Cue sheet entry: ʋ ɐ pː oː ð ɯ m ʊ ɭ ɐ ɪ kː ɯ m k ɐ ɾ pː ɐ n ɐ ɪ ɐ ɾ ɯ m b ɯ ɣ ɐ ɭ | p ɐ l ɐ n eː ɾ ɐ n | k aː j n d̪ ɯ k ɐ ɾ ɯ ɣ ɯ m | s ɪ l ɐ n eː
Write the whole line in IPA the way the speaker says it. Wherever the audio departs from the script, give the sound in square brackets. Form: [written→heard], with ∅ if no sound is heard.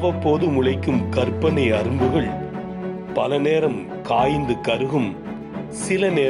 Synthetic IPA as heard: ʋ ɐ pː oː ð ɯ m ʊ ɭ ɐ ɪ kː ɯ m k ɐ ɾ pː ɐ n ɐ ɪ ɐ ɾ ɯ m b ɯ ɣ ɐ ɭ | p ɐ l ɐ n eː ɾ ɐ [n→m] | k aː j n d̪ ɯ k ɐ ɾ ɯ ɣ ɯ m | s ɪ l ɐ n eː